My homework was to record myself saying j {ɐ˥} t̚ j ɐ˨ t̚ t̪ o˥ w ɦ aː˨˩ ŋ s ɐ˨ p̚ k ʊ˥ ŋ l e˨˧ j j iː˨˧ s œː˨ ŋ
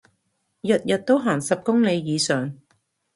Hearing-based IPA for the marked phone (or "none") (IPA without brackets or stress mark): ɐ˨